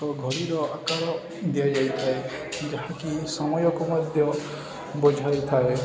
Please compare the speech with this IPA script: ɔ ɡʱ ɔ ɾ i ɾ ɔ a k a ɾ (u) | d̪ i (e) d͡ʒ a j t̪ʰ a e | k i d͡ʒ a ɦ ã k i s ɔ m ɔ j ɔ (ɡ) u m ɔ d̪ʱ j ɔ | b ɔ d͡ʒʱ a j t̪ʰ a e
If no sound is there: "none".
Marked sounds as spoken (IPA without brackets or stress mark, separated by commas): ɔ, a, k